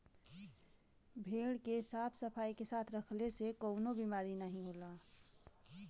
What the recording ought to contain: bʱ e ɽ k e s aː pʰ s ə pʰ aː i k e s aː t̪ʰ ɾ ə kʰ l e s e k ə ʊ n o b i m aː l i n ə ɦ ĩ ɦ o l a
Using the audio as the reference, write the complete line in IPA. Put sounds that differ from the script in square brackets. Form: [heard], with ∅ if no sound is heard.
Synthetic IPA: bʱ e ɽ k e s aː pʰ s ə pʰ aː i k e s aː t̪ʰ ɾ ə kʰ l e s e k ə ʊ n o b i m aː [ɾ] i n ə ɦ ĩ ɦ o l a